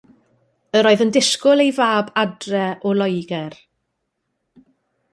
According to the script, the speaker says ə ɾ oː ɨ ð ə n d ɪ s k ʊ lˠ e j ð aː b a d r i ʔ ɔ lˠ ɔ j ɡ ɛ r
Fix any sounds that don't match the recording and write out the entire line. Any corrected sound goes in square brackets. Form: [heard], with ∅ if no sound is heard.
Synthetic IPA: ə ɾ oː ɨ ð ə n d ɪ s k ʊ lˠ e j [v] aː b a d r [ɛ] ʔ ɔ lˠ ɔ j ɡ ɛ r